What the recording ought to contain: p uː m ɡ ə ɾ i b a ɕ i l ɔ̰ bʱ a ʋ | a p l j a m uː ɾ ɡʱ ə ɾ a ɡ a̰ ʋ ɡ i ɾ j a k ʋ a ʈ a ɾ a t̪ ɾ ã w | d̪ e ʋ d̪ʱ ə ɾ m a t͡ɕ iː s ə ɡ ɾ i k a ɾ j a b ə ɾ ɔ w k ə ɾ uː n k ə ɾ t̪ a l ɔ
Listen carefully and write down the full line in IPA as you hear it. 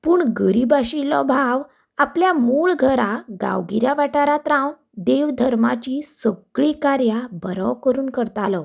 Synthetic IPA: p uː ɳ ɡ ə ɾ i b a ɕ i l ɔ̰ bʱ a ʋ | a p l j a m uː ɭ ɡʱ ə ɾ a ɡ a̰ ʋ ɡ i ɾ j a ʋ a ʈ a ɾ a t̪ ɾ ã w | d̪ e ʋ d̪ʱ ə ɾ m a t͡ɕ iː s ə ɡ ɭ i k a ɾ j a b ə ɾ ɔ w k ə ɾ uː n k ə ɾ t̪ a l ɔ

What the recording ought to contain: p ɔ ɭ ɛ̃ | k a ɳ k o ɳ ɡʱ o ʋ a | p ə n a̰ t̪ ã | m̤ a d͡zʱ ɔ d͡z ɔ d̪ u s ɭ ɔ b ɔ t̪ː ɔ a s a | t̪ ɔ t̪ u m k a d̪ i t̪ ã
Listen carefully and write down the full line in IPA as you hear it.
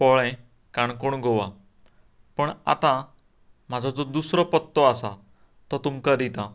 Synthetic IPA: p ɔ ɭ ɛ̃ | k a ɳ k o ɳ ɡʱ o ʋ a | p ə ɳ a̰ t̪ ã | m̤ a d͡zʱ ɔ d͡z ɔ d̪ u s ɾ ɔ p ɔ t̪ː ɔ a s a | t̪ ɔ t̪ u m k a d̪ i t̪ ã

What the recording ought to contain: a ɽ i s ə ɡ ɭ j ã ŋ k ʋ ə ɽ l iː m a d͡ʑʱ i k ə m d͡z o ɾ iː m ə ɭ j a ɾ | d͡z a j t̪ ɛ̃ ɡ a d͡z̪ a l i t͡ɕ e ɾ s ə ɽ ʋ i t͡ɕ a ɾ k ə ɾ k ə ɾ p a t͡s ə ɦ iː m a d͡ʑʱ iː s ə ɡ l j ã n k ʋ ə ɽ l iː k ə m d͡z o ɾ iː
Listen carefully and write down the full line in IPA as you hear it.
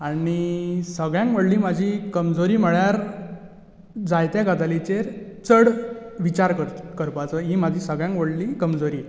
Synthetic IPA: a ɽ i s ə ɡ ɭ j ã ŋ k ʋ ə ɽ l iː m a d͡ʑʱ i k ə m d͡z o ɾ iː m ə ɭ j a ɾ | d͡z a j t̪ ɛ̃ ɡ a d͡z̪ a l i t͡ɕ e ɾ t͡s ə ɽ ʋ i t͡ɕ a ɾ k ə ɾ k ə ɾ p a t͡s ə ɦ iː m a d͡ʑʱ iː s ə ɡ ɭ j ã ŋ k ʋ ə ɽ l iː k ə m d͡z o ɾ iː

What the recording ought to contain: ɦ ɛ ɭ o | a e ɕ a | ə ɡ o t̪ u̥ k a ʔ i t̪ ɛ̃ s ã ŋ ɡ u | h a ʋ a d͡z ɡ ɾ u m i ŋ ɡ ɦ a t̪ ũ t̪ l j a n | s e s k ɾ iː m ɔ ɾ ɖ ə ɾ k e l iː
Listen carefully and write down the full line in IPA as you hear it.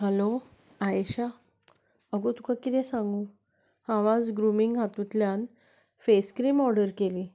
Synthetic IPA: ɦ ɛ l o | a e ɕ a | ə ɡ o t̪ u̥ k a k i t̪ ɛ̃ s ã ŋ ɡ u | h a ʋ a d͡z ɡ ɾ u m i ŋ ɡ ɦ a t̪ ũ t̪ l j a n | f e s k ɾ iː m ɔ ɾ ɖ ə ɾ k e l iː

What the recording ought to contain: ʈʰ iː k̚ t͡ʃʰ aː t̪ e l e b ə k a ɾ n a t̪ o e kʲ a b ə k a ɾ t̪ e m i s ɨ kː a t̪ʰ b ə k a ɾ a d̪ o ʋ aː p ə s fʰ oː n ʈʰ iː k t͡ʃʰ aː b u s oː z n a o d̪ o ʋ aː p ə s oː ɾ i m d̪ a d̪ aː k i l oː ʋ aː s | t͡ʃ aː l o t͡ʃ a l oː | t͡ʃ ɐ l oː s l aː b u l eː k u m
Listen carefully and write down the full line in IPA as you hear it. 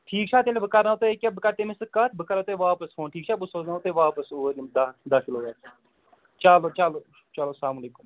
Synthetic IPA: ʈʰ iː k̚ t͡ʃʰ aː t̪ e l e b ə k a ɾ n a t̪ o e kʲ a b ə k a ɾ t̪ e m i s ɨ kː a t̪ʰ b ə k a ɾ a t̪ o ʋ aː p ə s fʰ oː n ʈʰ iː k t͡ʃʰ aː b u s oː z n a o t̪ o ʋ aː p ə s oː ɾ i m d̪ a d̪ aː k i l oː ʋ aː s | t͡ʃ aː l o t͡ʃ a l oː | t͡ʃ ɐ l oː s l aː m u l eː k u m

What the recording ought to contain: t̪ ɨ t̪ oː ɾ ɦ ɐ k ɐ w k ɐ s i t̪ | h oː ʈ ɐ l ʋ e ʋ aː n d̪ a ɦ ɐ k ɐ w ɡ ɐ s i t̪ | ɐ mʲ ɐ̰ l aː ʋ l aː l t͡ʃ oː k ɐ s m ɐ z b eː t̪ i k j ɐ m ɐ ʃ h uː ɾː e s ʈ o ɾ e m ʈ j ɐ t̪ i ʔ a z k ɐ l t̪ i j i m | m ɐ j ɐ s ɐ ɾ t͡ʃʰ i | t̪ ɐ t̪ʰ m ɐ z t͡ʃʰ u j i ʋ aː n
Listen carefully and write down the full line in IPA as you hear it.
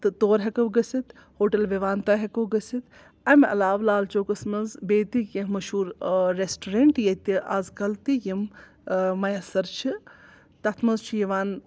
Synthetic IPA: t̪ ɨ t̪ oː ɾ ɦ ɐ k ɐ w ɡ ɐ s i t̪ | h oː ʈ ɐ l ʋ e ʋ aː n t̪ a ɦ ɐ k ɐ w ɡ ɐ s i t̪ | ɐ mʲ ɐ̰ l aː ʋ l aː l t͡ʃ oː k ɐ s m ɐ z b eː t̪ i k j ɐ m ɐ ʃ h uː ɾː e s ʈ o ɾ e ɳ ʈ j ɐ t̪ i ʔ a z k ɐ l t̪ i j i m | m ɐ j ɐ s ɐ ɾ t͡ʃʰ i | t̪ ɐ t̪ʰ m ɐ z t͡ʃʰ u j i ʋ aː n

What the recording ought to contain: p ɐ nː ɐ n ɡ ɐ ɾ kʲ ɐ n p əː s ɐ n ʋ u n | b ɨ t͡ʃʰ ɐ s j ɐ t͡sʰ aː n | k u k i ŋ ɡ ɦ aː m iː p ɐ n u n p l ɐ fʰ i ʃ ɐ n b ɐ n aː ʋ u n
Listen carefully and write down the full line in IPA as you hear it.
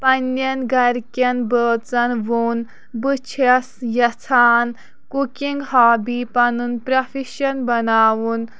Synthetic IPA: p ɐ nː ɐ n ɡ ɐ ɾ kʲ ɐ n b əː t͡s ɐ n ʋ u n | b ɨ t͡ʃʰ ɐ s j ɐ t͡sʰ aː n | k u k i ŋ ɡ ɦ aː b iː p ɐ n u n p ɾ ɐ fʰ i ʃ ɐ n b ɐ n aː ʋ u n

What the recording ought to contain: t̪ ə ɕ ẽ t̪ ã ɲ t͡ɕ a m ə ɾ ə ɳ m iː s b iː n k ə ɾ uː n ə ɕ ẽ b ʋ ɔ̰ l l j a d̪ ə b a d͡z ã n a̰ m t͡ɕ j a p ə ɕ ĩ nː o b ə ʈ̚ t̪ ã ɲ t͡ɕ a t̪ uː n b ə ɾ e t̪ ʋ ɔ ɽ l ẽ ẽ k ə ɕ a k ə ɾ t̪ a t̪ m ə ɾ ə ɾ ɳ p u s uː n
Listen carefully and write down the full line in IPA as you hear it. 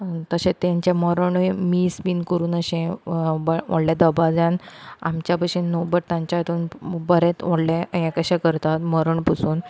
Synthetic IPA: t̪ ə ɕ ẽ t̪ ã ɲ t͡ɕ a m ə ɾ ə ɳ m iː s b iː n k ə ɾ uː n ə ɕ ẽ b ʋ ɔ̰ ɽ l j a d̪ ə b a d͡z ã n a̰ m t͡ɕ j a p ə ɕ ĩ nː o b ə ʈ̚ t̪ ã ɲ t͡ɕ a t̪ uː n b ə ɾ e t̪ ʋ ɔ ɽ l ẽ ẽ k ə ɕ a k ə ɾ t̪ a t̪ m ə ɾ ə ɳ p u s uː n

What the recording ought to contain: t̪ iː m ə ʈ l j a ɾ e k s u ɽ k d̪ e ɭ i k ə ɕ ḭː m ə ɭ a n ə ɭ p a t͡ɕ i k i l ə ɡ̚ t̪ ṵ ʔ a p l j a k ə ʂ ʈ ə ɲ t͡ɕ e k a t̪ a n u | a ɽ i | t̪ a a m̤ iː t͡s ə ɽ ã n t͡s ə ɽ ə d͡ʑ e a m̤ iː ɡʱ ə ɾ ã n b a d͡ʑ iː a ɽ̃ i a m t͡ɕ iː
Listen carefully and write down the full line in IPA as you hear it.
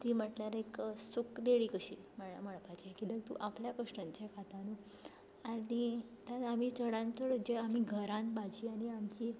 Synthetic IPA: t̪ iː m ə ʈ l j a ɾ e k s u k d̪ e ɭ i k ə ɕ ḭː m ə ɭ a m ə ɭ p a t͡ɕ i k i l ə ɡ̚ t̪ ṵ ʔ a p l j a k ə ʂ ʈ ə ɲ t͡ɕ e k a t̪ a n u | a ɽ i | t̪ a a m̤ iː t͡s ə ɽ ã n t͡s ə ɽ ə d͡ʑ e a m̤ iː ɡʱ ə ɾ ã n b a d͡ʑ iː a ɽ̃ i a m t͡ɕ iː

